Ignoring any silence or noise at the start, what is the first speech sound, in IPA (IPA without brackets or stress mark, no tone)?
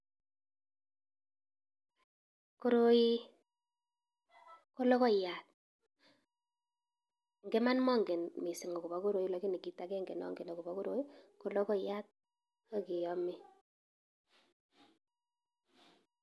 k